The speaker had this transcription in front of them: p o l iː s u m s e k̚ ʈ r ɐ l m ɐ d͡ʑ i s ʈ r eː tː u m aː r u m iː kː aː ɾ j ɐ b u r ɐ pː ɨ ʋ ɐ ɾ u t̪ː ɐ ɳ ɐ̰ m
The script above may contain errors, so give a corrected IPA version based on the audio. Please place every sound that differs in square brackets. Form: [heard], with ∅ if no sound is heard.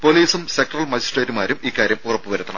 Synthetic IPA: p o l iː s u m s e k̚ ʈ r ɐ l m ɐ d͡ʑ i s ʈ r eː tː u m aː [ɾ] u m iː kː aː ɾ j ɐ [m] u r ɐ pː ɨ ʋ ɐ ɾ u t̪ː ɐ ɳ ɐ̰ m